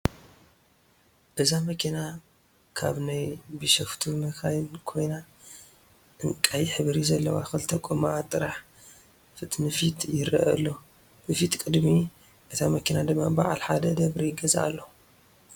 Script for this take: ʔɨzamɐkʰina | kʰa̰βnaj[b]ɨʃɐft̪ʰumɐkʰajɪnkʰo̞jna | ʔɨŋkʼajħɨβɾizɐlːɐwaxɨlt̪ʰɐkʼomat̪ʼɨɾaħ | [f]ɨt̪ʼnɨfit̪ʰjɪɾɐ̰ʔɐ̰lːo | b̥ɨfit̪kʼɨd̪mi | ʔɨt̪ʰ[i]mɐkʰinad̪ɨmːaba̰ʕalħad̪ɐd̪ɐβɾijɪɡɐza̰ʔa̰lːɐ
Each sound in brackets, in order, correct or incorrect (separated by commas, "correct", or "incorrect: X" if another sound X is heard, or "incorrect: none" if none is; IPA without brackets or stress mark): correct, correct, incorrect: a